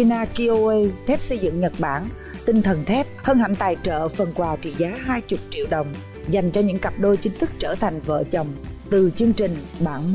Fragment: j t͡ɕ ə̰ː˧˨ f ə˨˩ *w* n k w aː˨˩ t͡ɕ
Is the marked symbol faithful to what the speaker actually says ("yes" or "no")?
no